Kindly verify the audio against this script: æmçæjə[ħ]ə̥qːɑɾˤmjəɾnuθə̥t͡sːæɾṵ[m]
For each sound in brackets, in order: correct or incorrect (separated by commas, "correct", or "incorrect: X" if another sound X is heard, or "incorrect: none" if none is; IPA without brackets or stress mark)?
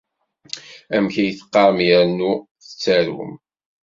incorrect: θ, correct